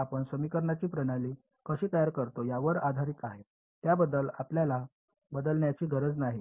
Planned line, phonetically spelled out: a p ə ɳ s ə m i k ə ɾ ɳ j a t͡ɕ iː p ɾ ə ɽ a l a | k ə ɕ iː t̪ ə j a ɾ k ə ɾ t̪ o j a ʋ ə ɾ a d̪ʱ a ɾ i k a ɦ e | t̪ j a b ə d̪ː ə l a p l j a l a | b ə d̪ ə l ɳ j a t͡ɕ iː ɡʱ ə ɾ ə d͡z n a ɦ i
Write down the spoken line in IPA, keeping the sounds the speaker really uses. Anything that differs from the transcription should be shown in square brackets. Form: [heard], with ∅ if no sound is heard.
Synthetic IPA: a p ə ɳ s ə m i k ə ɾ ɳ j a t͡ɕ iː p ɾ ə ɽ a l [i] | k ə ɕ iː t̪ ə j a ɾ k ə ɾ t̪ o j a ʋ ə ɾ a d̪ʱ a ɾ i k a ɦ e | t̪ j a b ə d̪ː ə l a p l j a l a | b ə d̪ ə l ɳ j a t͡ɕ iː ɡʱ ə ɾ ə d͡z n a ɦ i